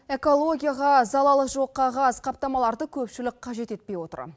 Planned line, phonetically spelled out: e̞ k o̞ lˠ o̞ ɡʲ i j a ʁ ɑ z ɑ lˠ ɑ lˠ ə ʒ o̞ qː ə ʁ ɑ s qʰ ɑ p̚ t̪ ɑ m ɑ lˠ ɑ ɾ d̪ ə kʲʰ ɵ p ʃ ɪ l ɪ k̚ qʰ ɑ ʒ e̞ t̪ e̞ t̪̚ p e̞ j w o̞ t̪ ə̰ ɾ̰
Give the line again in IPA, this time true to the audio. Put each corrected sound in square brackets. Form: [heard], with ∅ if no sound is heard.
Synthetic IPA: e̞ k o̞ lˠ o̞ ɡʲ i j a ʁ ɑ z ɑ lˠ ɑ lˠ ə ʒ o̞ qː [ɑ] ʁ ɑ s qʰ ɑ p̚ t̪ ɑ m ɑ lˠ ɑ ɾ d̪ ə kʲʰ ɵ p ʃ ɪ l ɪ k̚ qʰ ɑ ʒ e̞ t̪ e̞ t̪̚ p e̞ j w o̞ t̪ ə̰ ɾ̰

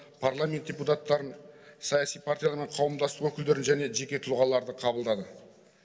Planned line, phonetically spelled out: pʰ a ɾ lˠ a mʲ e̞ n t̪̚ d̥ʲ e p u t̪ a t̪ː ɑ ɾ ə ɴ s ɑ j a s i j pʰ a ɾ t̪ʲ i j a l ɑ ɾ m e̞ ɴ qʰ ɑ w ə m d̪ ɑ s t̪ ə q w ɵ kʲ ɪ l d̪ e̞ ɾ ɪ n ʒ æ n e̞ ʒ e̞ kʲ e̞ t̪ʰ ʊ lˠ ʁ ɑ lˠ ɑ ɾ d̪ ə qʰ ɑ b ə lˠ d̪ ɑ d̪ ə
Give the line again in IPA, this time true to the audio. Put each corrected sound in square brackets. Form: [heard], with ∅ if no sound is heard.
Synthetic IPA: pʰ a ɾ lˠ a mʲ e̞ n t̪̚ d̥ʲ e p u t̪ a t̪ː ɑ ɾ ə [n] s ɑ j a s i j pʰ a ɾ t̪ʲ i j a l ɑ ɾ m e̞ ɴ qʰ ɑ w ə m d̪ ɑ s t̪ ə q w ɵ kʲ ɪ l d̪ e̞ ɾ ɪ n ʒ æ n e̞ ʒ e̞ kʲ e̞ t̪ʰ ʊ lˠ ʁ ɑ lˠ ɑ ɾ d̪ ə qʰ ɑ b ə lˠ d̪ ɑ d̪ ə

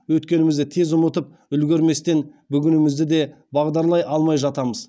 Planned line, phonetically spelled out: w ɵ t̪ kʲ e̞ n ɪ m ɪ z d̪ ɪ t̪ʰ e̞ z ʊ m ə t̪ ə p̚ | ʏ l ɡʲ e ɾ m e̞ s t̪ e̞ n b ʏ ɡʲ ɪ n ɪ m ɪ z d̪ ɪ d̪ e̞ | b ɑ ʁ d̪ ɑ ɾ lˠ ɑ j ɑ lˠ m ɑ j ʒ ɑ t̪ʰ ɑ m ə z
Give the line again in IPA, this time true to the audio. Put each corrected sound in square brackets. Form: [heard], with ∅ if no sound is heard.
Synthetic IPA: w ɵ t̪ kʲ e̞ n ɪ m ɪ z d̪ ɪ t̪ʰ e̞ z ʊ m ə t̪ ə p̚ | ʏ l ɡʲ e ɾ m e̞ s t̪ e̞ n b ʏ ɡʲ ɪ n ɪ m ɪ z d̪ ɪ d̪ e̞ | b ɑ ʁ d̪ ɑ ɾ lˠ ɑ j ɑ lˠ m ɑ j ʒ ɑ [t̪] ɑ m ə z

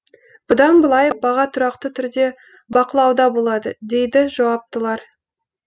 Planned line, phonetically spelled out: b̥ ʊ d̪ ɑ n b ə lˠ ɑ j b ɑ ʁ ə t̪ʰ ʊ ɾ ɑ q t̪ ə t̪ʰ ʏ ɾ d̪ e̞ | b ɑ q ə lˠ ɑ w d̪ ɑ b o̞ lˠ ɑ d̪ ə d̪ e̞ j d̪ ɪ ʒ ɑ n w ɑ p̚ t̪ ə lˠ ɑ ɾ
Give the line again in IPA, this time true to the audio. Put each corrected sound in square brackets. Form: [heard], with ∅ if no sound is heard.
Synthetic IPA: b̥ ʊ d̪ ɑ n b ə lˠ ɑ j b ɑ ʁ [ɑ] t̪ʰ ʊ ɾ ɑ q t̪ ə t̪ʰ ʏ ɾ d̪ e̞ | b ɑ q ə lˠ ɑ w d̪ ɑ b o̞ lˠ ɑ d̪ ə d̪ e̞ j d̪ ɪ ʒ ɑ [∅] w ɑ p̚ t̪ ə lˠ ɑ ɾ

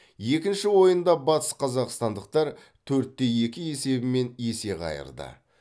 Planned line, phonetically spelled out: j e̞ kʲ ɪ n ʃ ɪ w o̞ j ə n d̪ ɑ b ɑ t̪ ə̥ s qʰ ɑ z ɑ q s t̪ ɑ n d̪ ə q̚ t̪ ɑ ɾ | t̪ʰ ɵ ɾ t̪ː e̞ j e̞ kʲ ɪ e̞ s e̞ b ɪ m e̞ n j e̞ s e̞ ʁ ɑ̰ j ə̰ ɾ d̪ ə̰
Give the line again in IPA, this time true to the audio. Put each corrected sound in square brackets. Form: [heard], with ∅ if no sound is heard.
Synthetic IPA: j e̞ kʲ ɪ n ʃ ɪ w o̞ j ə n d̪ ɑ b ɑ t̪ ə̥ s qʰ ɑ z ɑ q s t̪ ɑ n d̪ ə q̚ t̪ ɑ ɾ | t̪ʰ ɵ ɾ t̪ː e̞ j e̞ kʲ ɪ e̞ s e̞ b ɪ m e̞ n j e̞ s e̞ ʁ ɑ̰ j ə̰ ɾ d̪ ə̰

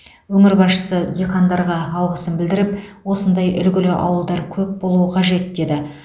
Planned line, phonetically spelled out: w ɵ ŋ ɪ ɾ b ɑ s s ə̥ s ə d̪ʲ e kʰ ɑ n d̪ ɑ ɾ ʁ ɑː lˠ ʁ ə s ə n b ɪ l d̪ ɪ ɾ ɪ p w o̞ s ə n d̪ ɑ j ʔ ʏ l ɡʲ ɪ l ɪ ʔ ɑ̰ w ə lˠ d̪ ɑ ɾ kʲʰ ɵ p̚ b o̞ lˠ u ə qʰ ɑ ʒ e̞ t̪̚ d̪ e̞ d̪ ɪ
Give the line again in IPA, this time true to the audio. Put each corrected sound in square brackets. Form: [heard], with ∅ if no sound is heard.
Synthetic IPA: w ɵ ŋ ɪ ɾ b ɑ s [ʃ] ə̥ s ə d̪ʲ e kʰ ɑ n d̪ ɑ ɾ ʁ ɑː lˠ ʁ ə s ə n b ɪ l d̪ ɪ ɾ ɪ p w o̞ s ə n d̪ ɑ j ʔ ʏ l ɡʲ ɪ l ɪ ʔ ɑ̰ w ə lˠ d̪ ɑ ɾ kʲʰ ɵ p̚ b o̞ lˠ u ə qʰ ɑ ʒ e̞ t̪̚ d̪ e̞ d̪ ɪ

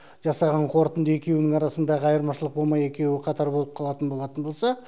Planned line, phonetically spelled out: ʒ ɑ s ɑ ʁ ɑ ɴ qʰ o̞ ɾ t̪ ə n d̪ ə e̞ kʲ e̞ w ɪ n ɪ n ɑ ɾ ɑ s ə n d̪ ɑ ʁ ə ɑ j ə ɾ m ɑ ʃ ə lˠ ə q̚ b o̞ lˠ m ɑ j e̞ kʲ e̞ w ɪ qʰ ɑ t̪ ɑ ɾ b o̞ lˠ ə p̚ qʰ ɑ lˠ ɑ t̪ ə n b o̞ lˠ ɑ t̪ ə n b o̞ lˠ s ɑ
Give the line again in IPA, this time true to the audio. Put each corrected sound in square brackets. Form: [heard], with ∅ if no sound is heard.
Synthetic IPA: ʒ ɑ s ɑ ʁ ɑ ɴ qʰ o̞ ɾ t̪ ə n d̪ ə e̞ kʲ e̞ w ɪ n ɪ [ŋ] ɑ ɾ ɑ s ə n d̪ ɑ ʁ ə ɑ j ə ɾ m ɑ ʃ ə lˠ ə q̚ b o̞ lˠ m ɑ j e̞ kʲ e̞ w ɪ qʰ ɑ t̪ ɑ ɾ b o̞ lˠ ə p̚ qʰ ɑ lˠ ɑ t̪ ə n b o̞ lˠ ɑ t̪ ə n b o̞ lˠ s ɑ

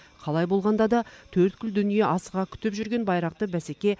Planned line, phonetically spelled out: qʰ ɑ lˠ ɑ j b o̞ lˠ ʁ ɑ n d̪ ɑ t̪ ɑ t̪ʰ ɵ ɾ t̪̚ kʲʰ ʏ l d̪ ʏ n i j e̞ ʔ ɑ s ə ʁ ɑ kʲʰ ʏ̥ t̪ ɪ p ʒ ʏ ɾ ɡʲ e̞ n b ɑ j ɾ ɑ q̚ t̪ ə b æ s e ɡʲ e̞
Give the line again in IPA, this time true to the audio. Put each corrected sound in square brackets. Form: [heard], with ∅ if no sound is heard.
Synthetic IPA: qʰ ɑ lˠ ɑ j b o̞ lˠ ʁ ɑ n d̪ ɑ [d̪] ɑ t̪ʰ ɵ ɾ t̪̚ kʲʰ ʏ l d̪ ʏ n i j e̞ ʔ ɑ s ə ʁ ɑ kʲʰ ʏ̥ t̪ ɪ p ʒ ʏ ɾ ɡʲ e̞ n b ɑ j ɾ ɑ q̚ t̪ ə b æ s e [kʲ] e̞

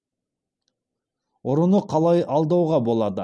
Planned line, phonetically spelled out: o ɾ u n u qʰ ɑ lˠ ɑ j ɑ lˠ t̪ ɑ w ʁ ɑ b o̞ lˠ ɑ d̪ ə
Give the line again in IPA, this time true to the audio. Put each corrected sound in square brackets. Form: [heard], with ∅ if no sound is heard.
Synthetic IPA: o ɾ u n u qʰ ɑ lˠ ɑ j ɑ lˠ [d̪] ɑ w ʁ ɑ b o̞ lˠ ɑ d̪ ə

